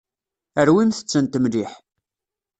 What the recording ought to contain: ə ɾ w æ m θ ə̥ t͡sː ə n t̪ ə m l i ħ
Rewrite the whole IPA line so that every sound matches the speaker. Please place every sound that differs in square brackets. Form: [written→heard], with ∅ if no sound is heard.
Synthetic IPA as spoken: ə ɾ w [æ→i] m θ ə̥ t͡sː ə n t̪ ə m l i ħ